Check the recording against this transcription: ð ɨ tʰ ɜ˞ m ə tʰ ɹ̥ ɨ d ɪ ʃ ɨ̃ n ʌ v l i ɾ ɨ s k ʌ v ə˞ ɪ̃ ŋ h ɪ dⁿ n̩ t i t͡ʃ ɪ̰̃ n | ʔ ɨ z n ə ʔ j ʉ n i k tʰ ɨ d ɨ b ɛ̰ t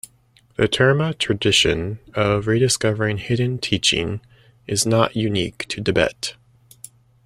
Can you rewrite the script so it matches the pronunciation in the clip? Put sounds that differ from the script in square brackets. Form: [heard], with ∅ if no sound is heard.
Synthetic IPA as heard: ð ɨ tʰ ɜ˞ m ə tʰ ɹ̥ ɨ d ɪ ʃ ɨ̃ n ʌ v [ɹ] i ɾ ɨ s k ʌ v ə˞ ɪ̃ ŋ h ɪ dⁿ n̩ [tʰ] i t͡ʃ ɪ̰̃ [ŋ] | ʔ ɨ z n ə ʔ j ʉ n i k tʰ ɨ d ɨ b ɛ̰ t

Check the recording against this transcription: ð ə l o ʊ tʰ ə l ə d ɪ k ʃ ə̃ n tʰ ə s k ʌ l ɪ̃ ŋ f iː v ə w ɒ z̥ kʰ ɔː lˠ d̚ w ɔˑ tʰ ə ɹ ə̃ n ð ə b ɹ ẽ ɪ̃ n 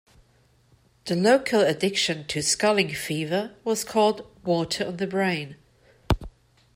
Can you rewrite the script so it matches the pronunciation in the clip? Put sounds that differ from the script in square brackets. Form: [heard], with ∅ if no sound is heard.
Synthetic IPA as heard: ð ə l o ʊ [kʰ] ə l ə d ɪ k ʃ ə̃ n tʰ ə s k ʌ l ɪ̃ ŋ f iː v ə w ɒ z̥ kʰ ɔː lˠ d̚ w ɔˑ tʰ ə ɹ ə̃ n ð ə b ɹ ẽ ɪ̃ n

